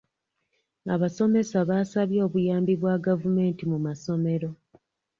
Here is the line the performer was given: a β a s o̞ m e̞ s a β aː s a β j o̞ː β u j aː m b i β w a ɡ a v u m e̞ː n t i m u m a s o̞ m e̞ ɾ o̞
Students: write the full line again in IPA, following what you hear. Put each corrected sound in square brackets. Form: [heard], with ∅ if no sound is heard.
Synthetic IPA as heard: a β a s o̞ m e̞ s a β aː s a β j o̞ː β u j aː m b i β w a ɡ a v u m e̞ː n t i m u m a s o̞ m e̞ ɾ o̞